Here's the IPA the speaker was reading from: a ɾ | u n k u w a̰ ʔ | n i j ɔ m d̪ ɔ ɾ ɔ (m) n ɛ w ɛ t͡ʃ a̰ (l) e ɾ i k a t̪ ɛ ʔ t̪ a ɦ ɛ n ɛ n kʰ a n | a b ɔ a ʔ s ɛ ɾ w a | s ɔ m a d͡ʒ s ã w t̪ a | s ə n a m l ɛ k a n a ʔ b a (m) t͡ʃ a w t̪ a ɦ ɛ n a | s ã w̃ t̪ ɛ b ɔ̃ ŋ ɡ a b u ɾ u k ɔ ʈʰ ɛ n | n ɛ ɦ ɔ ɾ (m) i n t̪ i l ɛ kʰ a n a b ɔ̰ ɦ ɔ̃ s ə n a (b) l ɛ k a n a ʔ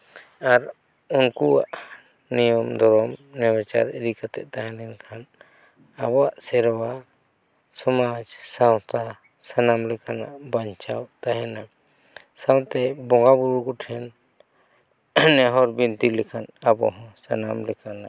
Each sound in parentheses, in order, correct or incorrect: correct, incorrect, incorrect, incorrect, incorrect

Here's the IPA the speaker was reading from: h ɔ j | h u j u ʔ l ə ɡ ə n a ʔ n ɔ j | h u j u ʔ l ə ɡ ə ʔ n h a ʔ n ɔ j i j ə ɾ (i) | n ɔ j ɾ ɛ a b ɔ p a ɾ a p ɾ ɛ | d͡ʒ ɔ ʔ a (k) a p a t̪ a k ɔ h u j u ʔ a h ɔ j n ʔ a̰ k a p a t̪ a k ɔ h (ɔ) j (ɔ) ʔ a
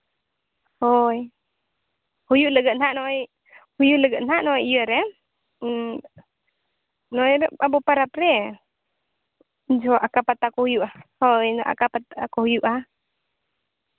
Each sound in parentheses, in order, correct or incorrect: incorrect, correct, incorrect, incorrect

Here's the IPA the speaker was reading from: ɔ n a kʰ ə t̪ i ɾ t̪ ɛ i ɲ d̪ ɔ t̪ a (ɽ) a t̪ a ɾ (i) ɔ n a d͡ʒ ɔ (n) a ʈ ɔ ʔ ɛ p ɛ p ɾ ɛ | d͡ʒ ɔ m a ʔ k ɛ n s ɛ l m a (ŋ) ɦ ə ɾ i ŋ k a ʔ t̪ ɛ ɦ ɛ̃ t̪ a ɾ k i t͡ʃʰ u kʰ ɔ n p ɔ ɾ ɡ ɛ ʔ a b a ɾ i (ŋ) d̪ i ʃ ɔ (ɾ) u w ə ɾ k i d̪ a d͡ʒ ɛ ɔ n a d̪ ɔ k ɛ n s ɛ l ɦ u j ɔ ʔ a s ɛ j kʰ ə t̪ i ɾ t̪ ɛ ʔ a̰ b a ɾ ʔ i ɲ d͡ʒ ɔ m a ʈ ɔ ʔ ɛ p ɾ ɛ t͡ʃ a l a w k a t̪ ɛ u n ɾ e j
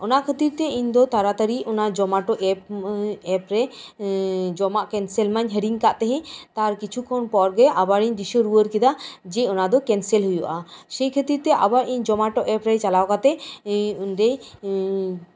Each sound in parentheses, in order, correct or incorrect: incorrect, correct, incorrect, incorrect, incorrect, correct

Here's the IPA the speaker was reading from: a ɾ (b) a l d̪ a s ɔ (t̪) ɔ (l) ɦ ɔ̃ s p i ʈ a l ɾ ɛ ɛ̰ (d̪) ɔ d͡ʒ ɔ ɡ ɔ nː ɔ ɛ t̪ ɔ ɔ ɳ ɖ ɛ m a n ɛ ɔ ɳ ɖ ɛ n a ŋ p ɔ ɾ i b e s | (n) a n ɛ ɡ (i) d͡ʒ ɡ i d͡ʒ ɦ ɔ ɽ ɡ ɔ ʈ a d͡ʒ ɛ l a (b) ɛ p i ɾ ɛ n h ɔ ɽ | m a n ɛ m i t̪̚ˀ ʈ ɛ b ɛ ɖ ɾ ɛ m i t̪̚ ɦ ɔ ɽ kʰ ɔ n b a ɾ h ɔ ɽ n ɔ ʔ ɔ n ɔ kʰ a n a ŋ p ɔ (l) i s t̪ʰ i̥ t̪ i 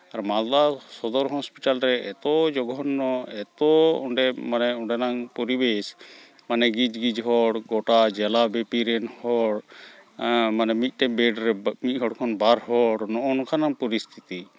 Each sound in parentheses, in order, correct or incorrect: incorrect, incorrect, incorrect, incorrect, incorrect, correct, correct, incorrect

